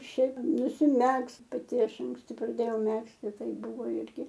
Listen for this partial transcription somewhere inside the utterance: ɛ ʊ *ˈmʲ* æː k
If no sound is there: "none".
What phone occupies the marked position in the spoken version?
mʲ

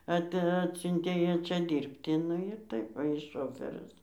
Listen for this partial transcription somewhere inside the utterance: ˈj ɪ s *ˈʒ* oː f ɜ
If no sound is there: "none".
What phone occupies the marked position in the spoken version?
ʃ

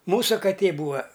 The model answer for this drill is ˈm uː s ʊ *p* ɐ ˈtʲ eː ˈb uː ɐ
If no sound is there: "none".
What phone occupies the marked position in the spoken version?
k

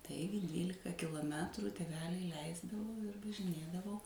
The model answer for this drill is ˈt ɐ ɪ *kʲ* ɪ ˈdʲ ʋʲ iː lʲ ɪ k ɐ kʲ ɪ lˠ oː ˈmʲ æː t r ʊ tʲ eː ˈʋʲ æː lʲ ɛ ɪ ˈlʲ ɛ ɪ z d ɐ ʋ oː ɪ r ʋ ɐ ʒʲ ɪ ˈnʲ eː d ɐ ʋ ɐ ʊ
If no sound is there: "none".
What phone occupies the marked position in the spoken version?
ɡʲ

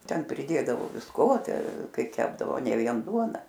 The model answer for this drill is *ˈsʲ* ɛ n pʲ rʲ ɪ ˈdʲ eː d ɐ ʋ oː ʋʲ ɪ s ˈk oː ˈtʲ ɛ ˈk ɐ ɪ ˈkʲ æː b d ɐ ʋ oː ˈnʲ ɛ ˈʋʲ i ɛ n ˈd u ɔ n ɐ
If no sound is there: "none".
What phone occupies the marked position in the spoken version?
tʲ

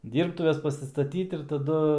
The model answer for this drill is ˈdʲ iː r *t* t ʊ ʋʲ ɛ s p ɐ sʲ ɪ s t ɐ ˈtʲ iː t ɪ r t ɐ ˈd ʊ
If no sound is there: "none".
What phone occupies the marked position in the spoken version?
p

